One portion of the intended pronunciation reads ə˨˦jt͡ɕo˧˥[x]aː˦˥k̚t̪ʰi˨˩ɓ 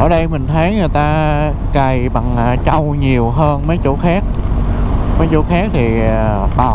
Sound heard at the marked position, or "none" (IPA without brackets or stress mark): x